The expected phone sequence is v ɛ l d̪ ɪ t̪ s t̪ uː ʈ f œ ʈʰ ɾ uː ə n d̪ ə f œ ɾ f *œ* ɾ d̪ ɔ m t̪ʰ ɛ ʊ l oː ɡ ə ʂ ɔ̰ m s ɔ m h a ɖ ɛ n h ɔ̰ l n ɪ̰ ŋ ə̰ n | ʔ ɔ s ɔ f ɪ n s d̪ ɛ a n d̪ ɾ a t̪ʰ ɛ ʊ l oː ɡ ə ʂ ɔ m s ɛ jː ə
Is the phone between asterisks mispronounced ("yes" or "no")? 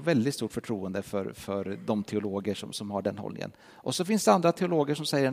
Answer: no